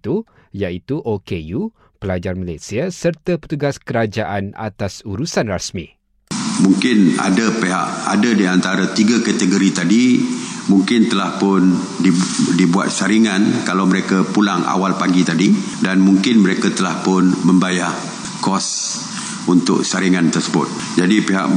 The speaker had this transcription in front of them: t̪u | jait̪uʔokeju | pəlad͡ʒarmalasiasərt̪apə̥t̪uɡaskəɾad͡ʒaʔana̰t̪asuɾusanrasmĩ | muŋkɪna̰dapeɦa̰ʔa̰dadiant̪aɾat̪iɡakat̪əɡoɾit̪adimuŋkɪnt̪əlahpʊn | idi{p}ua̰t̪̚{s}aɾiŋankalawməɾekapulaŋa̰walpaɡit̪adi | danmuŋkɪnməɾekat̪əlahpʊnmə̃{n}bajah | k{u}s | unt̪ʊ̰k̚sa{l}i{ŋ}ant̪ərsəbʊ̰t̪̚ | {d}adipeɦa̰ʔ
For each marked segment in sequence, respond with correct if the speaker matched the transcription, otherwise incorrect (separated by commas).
incorrect, correct, incorrect, incorrect, incorrect, correct, incorrect